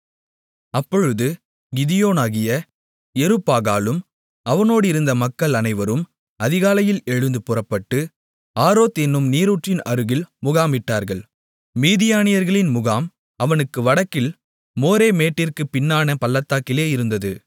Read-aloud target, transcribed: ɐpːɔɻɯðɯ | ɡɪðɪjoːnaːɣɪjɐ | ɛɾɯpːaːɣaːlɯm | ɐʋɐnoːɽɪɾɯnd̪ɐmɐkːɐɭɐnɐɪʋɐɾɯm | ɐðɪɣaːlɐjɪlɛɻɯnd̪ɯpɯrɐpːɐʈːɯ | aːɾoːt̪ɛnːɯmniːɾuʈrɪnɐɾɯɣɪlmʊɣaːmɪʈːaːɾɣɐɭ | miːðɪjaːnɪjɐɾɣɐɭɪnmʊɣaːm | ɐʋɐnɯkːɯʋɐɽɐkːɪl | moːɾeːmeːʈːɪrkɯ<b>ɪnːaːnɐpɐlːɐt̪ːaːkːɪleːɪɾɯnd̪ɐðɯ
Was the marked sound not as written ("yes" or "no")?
yes